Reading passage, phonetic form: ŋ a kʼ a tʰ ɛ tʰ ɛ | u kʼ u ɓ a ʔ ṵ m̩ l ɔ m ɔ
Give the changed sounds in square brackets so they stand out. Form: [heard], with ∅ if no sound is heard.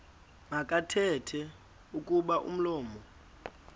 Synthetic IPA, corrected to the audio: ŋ a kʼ a tʰ ɛ tʰ ɛ | u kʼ u ɓ a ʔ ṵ m̩ l [ɔː] m ɔ